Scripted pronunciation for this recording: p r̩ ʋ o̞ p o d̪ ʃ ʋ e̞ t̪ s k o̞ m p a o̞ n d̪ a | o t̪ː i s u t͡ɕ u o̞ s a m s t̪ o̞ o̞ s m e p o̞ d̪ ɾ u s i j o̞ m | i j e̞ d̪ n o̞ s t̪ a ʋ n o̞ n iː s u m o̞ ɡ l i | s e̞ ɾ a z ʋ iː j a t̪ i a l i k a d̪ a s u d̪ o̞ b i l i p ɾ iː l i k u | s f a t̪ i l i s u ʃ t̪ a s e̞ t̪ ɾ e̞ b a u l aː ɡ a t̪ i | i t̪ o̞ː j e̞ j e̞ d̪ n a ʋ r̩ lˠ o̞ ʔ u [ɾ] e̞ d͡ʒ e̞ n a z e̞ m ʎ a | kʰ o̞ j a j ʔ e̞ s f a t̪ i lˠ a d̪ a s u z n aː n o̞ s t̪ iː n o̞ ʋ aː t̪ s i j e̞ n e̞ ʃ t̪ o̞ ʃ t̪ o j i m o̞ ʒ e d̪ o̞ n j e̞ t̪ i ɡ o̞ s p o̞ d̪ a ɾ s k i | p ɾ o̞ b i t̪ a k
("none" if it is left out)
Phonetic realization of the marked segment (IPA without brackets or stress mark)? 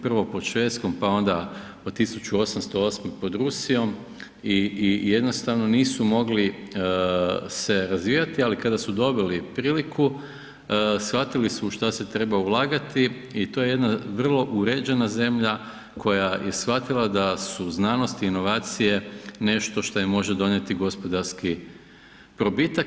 ɾ